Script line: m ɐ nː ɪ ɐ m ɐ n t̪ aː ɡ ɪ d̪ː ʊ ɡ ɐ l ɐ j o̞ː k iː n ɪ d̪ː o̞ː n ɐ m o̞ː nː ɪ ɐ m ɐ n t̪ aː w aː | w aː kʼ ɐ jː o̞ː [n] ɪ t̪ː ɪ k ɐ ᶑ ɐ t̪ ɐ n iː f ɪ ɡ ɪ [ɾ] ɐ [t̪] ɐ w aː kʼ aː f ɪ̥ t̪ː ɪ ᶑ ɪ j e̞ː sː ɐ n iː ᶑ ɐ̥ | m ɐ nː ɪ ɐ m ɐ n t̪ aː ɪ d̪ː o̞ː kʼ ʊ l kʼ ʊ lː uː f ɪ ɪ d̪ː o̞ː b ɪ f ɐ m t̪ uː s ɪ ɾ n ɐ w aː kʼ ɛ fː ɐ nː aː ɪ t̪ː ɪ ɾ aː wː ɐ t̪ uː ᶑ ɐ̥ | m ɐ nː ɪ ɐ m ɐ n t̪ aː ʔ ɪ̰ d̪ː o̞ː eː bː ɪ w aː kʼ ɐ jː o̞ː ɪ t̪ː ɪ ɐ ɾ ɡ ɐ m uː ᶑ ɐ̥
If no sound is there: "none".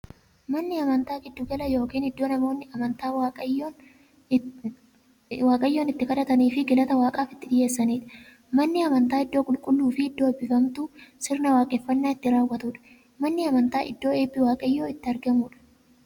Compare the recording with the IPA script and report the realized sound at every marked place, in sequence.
n, l, t̪

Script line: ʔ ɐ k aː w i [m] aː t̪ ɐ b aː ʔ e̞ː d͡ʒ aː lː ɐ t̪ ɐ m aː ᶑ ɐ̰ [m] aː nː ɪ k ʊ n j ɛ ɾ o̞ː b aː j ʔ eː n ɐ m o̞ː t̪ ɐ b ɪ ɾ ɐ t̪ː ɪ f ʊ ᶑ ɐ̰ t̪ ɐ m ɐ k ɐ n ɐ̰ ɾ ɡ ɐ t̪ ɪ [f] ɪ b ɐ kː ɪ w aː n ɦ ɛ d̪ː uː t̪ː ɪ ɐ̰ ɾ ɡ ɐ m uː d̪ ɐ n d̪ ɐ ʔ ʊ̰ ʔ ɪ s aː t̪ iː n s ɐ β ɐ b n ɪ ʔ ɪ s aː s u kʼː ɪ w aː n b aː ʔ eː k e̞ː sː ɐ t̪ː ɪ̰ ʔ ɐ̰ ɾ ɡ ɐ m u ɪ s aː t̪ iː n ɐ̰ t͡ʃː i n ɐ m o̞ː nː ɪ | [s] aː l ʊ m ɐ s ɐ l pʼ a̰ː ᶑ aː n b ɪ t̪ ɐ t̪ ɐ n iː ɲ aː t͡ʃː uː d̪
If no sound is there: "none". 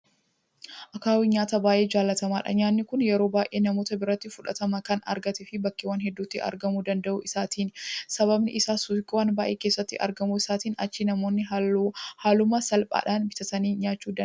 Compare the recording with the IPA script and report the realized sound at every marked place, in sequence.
ɲ, ɲ, f, h

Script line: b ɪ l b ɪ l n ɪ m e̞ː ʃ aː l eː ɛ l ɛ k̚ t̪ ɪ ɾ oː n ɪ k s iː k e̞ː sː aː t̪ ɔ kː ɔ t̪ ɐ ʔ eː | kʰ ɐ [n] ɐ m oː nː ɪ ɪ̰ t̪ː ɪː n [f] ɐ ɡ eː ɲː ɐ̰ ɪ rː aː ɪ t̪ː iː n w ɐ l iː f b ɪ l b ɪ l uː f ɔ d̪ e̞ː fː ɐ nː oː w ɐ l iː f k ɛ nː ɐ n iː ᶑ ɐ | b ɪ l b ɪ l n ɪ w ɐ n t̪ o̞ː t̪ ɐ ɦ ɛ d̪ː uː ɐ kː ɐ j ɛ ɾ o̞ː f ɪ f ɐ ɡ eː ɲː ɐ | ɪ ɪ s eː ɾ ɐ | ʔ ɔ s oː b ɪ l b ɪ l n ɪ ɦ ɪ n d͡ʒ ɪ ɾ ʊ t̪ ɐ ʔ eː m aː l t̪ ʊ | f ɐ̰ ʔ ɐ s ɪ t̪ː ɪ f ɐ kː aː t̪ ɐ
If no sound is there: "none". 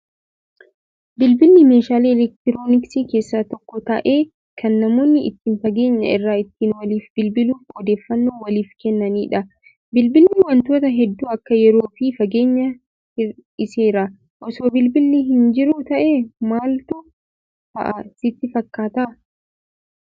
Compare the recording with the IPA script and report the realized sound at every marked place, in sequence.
nː, f

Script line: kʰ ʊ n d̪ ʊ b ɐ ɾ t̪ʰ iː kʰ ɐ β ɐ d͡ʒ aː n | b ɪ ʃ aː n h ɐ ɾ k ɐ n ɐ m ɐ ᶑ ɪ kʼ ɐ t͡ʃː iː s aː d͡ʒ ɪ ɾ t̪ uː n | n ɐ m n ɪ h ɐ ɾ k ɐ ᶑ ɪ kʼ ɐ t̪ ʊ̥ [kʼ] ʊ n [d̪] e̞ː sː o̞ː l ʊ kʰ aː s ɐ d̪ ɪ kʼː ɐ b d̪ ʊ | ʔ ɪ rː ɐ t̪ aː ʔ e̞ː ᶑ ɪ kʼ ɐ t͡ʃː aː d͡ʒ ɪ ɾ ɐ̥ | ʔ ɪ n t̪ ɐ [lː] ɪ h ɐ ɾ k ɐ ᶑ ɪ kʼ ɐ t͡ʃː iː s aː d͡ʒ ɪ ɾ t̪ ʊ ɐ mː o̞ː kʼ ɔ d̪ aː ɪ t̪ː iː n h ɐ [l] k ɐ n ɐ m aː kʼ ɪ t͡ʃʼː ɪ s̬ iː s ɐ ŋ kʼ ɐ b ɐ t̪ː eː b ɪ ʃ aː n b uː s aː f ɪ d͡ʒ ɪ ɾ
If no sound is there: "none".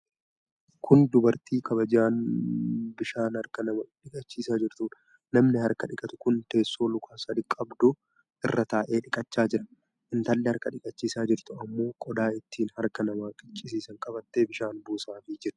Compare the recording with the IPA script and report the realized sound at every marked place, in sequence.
k, t̪, lː, ɾ

